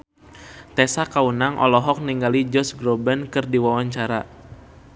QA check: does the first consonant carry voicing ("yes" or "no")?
no